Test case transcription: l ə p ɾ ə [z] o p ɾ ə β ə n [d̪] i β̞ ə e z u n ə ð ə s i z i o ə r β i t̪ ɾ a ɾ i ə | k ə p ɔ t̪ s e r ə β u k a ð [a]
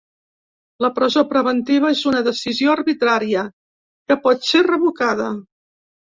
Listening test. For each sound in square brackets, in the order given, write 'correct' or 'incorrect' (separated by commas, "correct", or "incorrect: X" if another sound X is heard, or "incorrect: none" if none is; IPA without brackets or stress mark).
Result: correct, incorrect: t̪, incorrect: ə